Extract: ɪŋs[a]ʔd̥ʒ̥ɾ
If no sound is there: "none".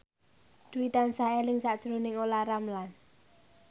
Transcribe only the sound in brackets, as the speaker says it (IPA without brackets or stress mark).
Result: a